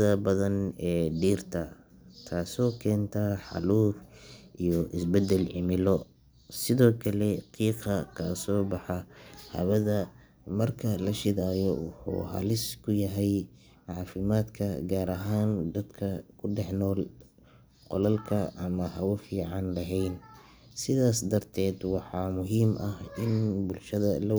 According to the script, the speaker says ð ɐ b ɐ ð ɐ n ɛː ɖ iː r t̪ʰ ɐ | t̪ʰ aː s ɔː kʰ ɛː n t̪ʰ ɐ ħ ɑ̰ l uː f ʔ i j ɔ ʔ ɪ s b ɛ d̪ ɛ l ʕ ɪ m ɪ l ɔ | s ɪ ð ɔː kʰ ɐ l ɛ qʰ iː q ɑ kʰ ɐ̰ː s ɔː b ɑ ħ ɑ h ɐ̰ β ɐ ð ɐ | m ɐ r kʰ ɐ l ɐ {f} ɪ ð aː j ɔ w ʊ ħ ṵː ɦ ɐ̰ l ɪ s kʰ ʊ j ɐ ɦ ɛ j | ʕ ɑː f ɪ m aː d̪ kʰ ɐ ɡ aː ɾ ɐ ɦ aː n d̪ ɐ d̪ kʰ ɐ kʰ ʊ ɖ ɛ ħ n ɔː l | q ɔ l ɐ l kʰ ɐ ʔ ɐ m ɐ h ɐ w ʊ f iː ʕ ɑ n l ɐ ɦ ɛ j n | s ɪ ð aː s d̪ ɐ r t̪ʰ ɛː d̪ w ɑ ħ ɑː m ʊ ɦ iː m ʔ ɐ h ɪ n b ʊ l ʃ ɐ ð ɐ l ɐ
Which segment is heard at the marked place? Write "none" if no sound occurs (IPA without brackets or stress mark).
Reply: ʃ